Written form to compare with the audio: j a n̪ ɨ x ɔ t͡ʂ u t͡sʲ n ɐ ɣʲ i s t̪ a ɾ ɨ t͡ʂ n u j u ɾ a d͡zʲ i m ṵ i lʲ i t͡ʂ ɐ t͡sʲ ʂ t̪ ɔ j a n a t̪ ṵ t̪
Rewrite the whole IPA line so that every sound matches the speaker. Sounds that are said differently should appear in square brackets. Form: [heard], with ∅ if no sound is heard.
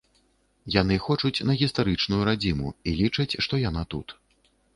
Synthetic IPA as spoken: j a n̪ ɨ x ɔ t͡ʂ u t͡sʲ n ɐ ɣʲ i s t̪ a ɾ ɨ t͡ʂ n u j u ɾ a d͡zʲ i m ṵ i lʲ i t͡ʂ ɐ t͡sʲ ʂ t̪ ɔ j a n a t̪ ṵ t̪